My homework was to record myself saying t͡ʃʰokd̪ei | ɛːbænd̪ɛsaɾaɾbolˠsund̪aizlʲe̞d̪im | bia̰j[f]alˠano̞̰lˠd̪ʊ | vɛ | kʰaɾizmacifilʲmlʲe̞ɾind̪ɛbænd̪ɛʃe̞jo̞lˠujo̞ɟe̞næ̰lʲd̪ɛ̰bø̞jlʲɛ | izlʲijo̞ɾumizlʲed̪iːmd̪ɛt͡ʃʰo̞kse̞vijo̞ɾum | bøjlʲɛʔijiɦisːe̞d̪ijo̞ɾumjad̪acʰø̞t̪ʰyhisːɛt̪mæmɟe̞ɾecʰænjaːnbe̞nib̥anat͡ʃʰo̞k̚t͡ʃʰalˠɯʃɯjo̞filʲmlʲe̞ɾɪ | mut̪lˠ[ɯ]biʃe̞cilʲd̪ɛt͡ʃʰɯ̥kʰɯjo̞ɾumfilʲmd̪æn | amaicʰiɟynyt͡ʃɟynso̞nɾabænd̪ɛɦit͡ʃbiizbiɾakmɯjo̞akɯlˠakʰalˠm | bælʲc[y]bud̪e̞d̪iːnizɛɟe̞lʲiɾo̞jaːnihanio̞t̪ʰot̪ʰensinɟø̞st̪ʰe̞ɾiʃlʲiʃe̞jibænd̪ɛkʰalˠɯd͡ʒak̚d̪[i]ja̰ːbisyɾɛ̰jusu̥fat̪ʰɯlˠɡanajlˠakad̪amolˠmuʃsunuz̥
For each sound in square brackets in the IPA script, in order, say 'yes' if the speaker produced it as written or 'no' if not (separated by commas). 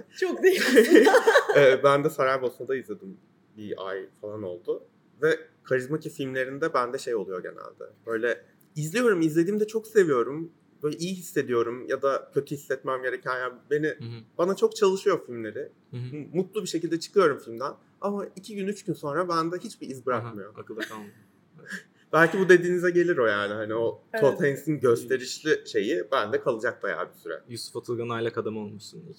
yes, no, no, no